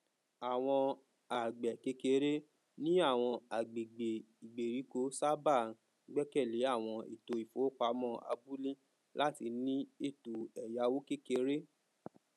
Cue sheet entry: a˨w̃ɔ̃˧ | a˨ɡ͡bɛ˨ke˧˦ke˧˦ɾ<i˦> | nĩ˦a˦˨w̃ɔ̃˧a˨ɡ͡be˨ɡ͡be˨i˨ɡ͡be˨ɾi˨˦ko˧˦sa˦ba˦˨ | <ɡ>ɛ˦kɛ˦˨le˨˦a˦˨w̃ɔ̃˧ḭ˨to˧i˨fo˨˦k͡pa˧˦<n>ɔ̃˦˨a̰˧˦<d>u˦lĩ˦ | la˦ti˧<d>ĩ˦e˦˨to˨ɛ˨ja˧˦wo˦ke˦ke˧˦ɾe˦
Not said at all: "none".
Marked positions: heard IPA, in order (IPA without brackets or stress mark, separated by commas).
e˦, ɡ͡b, m, b, n